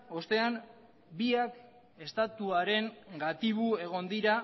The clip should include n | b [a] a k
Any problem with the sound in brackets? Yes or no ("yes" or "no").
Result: yes